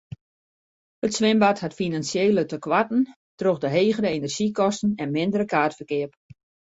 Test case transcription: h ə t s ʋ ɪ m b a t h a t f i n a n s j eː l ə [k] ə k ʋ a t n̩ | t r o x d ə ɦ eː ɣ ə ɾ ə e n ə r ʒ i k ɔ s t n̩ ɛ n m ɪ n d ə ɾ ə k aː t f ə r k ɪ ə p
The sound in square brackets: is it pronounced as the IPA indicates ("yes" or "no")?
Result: no